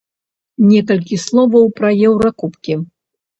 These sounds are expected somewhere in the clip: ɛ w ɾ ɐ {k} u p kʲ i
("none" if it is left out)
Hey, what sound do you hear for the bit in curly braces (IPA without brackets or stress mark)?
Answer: k